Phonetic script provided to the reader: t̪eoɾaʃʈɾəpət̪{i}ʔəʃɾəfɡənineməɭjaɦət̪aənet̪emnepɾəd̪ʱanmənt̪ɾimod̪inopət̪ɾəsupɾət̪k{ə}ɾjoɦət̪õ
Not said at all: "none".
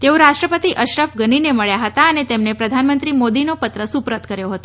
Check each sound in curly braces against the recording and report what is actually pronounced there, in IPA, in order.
i, ə

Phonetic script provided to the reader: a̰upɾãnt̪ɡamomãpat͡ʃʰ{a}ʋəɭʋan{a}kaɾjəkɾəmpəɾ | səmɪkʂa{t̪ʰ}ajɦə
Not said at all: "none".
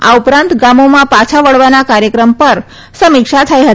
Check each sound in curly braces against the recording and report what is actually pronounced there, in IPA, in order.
a, a, t̪ʰ

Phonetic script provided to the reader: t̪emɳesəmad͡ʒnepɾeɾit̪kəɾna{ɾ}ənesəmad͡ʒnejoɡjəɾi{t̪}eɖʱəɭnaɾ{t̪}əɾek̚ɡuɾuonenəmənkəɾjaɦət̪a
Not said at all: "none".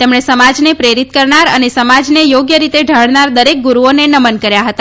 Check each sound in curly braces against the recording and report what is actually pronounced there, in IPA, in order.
ɾ, t̪, d̪

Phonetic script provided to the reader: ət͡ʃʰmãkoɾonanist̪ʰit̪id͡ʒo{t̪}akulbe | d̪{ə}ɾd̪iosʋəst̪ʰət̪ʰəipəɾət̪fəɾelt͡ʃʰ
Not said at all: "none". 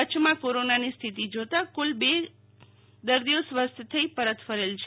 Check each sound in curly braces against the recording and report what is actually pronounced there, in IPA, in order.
t̪, ə

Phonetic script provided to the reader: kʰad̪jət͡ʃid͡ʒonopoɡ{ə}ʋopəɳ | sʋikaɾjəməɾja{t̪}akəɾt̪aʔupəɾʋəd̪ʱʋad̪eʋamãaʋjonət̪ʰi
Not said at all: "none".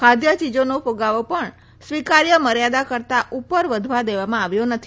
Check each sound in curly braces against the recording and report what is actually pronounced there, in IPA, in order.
a, d̪

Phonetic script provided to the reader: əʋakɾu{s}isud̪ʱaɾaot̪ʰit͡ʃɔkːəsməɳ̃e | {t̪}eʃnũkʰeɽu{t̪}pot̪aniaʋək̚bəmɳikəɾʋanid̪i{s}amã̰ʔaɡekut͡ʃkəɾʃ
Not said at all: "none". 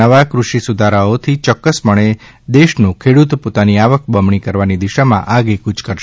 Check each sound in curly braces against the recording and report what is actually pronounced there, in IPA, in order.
ʃ, d̪, t̪, ʃ

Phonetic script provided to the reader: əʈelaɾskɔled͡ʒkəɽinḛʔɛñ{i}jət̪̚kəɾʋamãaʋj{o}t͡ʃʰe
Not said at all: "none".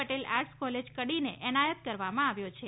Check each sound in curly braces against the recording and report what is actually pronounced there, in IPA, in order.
a, o

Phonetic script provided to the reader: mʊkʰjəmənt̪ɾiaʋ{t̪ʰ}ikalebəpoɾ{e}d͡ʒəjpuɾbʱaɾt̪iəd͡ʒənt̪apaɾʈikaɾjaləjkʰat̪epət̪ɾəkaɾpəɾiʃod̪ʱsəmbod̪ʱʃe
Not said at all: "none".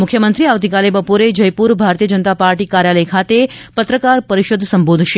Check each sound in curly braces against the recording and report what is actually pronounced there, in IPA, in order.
t̪, e

